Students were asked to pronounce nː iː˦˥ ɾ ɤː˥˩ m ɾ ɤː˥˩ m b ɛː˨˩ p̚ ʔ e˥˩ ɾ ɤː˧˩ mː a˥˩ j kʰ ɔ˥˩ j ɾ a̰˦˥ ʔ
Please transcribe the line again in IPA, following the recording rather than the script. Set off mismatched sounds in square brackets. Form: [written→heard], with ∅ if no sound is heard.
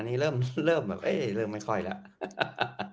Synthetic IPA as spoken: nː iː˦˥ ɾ ɤː˥˩ m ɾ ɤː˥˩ m b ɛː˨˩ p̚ ʔ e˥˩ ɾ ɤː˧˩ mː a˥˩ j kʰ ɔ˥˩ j [ɾ→l] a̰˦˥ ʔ

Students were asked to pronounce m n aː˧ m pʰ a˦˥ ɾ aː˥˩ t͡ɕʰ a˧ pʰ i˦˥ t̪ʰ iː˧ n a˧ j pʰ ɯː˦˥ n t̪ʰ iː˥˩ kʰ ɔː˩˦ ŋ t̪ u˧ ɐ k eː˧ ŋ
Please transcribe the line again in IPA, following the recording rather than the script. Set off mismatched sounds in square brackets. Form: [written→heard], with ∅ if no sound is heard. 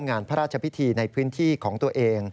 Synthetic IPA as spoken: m [n→ŋ] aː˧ [m→n] pʰ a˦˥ ɾ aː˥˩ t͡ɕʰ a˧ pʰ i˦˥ t̪ʰ iː˧ n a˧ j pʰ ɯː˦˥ n t̪ʰ iː˥˩ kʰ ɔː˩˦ ŋ t̪ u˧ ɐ [k→ʔ] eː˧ ŋ

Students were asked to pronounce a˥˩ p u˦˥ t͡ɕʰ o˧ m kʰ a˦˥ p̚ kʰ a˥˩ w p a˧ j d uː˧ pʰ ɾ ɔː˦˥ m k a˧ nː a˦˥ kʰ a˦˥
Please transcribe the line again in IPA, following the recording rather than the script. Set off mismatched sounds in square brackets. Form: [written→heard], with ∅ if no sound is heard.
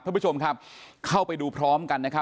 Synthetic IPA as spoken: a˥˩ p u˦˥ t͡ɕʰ o˧ m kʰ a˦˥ p̚ kʰ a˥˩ w p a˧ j d uː˧ pʰ ɾ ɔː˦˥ m k a˧ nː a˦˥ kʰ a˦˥

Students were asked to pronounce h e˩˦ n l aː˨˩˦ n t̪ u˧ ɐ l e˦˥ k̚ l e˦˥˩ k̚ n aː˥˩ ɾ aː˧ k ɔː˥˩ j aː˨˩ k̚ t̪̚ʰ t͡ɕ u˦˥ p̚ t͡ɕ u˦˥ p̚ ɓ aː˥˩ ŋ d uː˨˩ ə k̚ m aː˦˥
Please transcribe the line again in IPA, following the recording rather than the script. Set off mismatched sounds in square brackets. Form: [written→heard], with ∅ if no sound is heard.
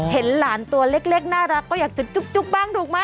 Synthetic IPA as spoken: h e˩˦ n l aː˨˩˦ n t̪ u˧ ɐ l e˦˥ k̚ l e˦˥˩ k̚ n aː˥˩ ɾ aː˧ k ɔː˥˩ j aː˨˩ k̚ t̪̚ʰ t͡ɕ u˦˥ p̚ t͡ɕ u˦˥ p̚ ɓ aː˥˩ ŋ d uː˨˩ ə k̚ m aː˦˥

